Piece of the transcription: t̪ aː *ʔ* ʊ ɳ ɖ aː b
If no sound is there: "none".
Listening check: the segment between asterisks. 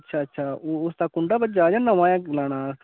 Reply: k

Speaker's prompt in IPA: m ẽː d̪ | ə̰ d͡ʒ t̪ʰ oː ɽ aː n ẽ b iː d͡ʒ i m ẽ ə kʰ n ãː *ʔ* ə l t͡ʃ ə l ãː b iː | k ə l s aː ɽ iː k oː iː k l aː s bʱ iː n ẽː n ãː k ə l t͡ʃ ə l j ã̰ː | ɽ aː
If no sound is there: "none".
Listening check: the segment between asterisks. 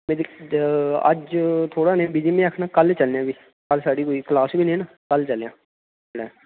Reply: k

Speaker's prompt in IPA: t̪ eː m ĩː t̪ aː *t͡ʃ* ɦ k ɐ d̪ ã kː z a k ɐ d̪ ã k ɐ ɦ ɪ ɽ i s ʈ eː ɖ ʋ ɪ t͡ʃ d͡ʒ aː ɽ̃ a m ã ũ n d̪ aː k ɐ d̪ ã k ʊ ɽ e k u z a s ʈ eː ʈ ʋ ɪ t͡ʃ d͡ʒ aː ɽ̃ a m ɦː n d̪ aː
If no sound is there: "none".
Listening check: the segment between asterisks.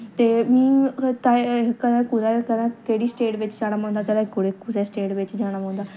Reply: none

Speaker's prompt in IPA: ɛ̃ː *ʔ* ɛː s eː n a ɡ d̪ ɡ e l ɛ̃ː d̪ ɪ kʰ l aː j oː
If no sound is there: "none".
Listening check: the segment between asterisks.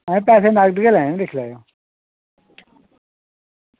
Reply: p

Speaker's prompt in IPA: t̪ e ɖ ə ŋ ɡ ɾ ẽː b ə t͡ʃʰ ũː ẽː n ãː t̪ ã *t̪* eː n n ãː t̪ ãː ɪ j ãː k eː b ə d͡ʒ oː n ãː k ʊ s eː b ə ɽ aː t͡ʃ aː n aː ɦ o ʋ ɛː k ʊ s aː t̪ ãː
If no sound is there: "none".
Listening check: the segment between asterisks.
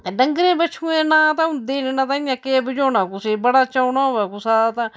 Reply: d̪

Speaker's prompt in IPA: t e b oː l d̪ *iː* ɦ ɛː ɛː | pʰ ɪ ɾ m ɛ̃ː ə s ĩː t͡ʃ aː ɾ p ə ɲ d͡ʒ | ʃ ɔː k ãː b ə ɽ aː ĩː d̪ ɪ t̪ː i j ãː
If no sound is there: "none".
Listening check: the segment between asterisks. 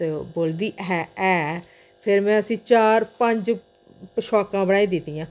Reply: iː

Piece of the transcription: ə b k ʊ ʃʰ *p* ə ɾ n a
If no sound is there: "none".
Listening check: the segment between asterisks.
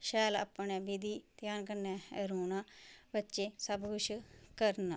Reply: k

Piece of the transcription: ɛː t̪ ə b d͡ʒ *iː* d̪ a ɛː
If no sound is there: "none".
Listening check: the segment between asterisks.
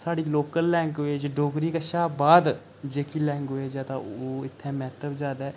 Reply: aː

